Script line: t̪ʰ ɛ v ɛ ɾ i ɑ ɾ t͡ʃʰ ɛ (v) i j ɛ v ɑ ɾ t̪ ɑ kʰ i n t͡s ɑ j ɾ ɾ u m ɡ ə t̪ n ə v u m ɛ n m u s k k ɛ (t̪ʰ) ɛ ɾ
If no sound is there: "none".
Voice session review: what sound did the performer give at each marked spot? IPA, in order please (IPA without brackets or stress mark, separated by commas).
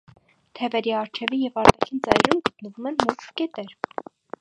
v, t̪